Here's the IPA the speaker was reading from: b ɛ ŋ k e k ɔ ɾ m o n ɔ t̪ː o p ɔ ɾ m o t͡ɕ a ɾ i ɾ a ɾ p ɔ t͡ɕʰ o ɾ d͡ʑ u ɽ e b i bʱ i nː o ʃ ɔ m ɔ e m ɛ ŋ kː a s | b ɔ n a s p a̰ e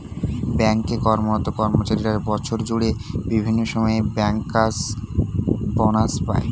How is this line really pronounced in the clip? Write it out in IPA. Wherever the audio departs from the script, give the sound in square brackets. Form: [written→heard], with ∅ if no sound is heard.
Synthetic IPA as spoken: b ɛ ŋ k e k ɔ ɾ m o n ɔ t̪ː o [p→k] ɔ ɾ m o t͡ɕ a ɾ i ɾ a ɾ [p→b] ɔ t͡ɕʰ o ɾ d͡ʑ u ɽ e b i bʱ i nː o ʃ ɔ m ɔ e [m→b] ɛ ŋ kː a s | b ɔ n a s p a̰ e